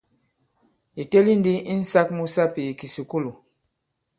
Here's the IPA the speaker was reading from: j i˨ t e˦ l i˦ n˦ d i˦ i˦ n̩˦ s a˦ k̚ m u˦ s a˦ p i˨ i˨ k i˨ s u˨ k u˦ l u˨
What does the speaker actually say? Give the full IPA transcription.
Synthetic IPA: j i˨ t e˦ l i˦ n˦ d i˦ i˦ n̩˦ s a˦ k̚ m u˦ s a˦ p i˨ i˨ k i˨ s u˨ k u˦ l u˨